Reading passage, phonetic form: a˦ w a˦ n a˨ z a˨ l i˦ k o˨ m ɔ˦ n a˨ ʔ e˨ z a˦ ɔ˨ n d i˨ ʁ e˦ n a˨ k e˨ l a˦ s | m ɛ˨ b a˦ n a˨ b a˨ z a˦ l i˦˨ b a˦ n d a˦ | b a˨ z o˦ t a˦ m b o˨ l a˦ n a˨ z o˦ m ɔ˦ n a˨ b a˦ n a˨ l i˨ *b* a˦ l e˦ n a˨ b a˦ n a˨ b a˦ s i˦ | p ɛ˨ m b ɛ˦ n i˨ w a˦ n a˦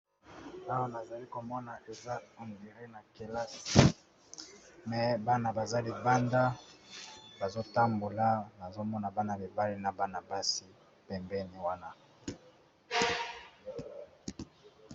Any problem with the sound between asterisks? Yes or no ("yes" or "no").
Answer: no